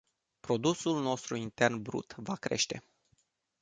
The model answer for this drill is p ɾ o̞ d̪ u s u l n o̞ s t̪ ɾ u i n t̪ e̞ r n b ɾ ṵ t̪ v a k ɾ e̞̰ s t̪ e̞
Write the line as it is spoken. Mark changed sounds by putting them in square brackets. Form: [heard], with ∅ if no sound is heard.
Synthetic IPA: p ɾ o̞ d̪ u s u l n o̞ s t̪ ɾ u i n t̪ e̞ r n b ɾ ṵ t̪ v a k ɾ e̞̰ [ʃ] t̪ e̞